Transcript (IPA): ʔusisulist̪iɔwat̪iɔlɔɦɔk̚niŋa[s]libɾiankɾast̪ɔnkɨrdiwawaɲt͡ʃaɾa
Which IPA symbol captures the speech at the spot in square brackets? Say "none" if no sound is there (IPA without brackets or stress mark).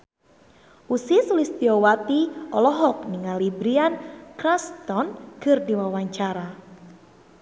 none